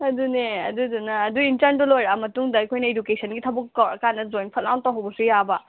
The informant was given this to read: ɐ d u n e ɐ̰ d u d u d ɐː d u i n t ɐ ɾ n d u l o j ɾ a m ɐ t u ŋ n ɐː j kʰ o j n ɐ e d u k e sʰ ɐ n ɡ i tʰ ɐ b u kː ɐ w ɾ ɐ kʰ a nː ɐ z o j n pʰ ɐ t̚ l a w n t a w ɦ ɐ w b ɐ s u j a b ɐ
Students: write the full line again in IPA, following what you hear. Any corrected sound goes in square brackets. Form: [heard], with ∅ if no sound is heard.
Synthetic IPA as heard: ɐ d u n e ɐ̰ d u d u [n] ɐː d u i n t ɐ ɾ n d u l o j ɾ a m ɐ t u ŋ [d] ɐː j kʰ o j n ɐ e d u k e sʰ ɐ n ɡ i tʰ ɐ b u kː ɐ w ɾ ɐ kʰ a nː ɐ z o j n pʰ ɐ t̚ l a w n t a w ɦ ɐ w b ɐ s u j a b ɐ